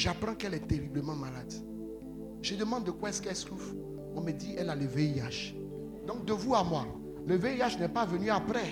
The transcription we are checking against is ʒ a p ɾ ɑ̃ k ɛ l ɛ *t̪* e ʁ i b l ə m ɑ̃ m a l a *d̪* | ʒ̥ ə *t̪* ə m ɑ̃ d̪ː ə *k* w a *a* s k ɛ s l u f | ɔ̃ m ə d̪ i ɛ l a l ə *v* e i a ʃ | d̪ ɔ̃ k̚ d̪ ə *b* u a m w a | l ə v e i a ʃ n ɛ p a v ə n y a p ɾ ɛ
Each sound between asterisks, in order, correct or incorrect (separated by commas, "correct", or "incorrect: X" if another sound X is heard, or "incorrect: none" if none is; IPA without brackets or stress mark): correct, correct, incorrect: d̪, correct, incorrect: ɛ, correct, incorrect: v